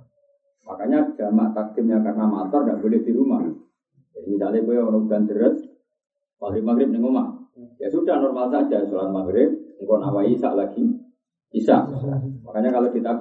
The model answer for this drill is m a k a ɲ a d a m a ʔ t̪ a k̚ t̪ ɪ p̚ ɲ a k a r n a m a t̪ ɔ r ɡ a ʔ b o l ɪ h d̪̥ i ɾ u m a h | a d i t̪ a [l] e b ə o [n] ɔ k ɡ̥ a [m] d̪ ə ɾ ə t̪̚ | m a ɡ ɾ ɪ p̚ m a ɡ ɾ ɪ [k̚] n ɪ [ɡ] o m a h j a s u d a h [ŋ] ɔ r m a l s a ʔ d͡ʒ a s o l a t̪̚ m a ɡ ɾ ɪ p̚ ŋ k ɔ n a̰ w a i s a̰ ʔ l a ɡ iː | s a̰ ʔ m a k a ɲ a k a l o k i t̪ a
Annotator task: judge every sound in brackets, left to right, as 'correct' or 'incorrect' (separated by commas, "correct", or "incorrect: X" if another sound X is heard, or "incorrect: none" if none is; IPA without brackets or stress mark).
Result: correct, correct, incorrect: n, incorrect: p̚, incorrect: ŋ, incorrect: n